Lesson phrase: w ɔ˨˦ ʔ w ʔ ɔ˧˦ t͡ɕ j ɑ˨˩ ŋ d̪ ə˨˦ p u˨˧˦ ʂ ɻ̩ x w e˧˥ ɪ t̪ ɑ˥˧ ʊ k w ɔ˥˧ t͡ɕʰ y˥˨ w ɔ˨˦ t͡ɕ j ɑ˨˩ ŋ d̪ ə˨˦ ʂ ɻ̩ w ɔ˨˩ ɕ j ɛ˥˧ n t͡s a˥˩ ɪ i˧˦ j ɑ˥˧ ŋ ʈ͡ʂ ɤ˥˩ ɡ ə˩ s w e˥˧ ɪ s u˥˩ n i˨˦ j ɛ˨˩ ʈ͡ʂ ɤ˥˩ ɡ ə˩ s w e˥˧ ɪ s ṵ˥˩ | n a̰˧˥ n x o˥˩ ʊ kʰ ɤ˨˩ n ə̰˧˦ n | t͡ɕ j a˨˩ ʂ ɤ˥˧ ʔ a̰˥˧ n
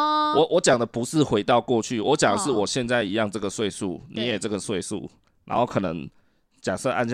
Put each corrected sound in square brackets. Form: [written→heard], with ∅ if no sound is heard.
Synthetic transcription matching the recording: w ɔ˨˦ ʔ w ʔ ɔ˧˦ t͡ɕ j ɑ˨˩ ŋ d̪ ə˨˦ p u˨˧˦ ʂ ɻ̩ x w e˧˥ ɪ t̪ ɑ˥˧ ʊ k w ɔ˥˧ t͡ɕʰ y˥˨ w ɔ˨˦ t͡ɕ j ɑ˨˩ ŋ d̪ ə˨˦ ʂ ɻ̩ w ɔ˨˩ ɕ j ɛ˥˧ n t͡s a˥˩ ɪ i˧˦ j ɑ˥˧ ŋ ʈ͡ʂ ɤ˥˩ ɡ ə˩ s w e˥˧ ɪ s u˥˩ n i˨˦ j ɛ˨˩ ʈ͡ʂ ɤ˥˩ ɡ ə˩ s w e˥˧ ɪ s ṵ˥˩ | n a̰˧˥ n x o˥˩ ʊ kʰ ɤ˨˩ n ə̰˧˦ [n→ŋ] | t͡ɕ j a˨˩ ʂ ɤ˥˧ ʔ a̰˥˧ n